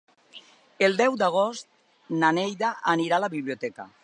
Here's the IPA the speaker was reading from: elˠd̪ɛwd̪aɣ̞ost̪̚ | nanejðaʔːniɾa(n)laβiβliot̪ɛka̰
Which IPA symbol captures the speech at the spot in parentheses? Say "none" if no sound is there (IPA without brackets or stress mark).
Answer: none